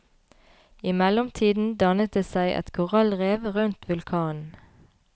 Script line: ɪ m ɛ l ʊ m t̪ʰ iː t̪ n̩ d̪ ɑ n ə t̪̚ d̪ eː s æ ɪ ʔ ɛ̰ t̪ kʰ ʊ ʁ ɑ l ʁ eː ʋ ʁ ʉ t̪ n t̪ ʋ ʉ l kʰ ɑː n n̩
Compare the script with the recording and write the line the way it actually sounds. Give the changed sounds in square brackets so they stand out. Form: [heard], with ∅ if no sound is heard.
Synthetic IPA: ɪ m ɛ l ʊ m t̪ʰ iː [d̪] n̩ d̪ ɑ n ə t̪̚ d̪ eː s æ ɪ ʔ ɛ̰ t̪ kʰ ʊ ʁ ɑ l ʁ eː ʋ ʁ ʉ [∅] n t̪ ʋ ʉ l kʰ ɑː n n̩

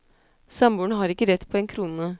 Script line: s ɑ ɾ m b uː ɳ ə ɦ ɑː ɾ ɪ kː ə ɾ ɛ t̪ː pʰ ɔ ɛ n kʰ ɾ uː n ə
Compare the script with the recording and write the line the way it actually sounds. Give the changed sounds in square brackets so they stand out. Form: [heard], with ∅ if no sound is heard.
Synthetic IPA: s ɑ [∅] m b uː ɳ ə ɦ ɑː ɾ ɪ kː ə ɾ ɛ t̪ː pʰ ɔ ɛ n kʰ ɾ uː n ə

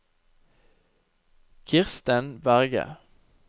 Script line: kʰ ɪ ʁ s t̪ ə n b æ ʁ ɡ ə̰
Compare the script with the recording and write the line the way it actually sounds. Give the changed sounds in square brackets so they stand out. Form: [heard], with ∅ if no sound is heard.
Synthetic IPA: kʰ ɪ ʁ s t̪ ə n b æ ʁ ɡ ə̰

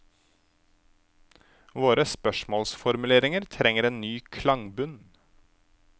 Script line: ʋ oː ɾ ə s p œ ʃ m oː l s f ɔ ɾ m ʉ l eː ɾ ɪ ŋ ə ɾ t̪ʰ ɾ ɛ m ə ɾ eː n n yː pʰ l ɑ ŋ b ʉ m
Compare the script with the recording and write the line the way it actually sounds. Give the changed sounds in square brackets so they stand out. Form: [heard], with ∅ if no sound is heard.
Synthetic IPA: ʋ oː ɾ ə s p œ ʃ m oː l s f ɔ ɾ m ʉ l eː ɾ ɪ ŋ ə ɾ t̪ʰ ɾ ɛ [ŋ] ə ɾ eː n n yː [kʰ] l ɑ ŋ b ʉ [n]

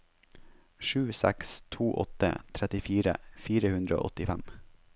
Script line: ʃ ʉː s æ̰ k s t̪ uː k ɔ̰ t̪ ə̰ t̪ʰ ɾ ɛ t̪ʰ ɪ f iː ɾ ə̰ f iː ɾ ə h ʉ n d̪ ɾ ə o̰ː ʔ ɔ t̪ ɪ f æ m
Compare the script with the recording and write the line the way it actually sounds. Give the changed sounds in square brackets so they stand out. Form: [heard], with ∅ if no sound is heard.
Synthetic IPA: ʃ ʉː s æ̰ k s [t̪ʰ] uː [ʔ] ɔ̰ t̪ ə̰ t̪ʰ ɾ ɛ [t̪] ɪ f iː ɾ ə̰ f iː ɾ ə h ʉ n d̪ ɾ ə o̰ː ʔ ɔ t̪ ɪ f æ m

